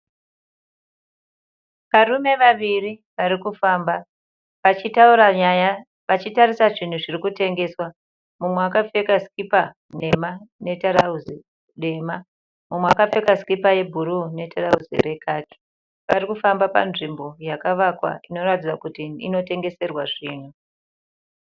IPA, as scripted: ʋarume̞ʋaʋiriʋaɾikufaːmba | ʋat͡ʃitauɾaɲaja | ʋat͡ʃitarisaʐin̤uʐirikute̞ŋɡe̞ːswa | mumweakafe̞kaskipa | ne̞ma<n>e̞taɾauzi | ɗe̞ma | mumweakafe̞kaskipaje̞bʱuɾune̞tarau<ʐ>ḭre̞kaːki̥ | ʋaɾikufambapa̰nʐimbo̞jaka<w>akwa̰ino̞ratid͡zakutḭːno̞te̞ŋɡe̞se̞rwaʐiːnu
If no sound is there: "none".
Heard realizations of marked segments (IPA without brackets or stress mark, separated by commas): n, z, ʋ